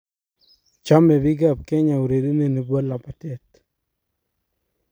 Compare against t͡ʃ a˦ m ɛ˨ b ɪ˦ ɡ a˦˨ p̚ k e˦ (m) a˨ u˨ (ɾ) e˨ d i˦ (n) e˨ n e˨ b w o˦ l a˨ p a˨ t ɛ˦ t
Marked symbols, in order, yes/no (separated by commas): no, yes, yes